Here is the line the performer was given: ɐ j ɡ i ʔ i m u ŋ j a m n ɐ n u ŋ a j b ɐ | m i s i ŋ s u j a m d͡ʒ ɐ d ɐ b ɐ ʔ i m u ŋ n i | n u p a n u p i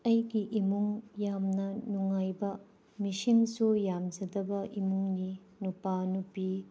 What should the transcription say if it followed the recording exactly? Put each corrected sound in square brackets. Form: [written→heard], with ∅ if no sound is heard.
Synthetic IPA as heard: ɐ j ɡ i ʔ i m u ŋ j a m n ɐ n u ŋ a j b ɐ | m i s i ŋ s u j a m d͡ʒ ɐ d ɐ b ɐ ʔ i m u ŋ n i | n u p a n u p i